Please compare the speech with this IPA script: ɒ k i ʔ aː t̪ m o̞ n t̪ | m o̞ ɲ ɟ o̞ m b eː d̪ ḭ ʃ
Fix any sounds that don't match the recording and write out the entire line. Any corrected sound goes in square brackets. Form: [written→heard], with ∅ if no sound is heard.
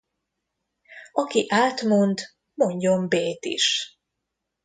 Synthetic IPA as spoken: ɒ k i ʔ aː t̪ m o̞ n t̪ | m o̞ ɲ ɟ o̞ m b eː [d̪→t̪] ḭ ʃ